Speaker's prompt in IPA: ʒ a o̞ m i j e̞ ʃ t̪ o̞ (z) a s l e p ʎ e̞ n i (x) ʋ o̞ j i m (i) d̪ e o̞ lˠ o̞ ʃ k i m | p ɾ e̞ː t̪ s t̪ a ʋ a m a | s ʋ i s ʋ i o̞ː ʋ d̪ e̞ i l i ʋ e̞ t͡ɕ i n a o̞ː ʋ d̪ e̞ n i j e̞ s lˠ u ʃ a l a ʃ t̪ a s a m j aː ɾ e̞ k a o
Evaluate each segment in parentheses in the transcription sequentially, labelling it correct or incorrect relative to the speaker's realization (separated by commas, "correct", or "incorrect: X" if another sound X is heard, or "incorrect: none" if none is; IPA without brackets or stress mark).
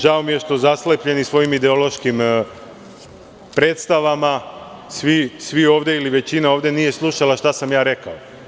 correct, incorrect: s, correct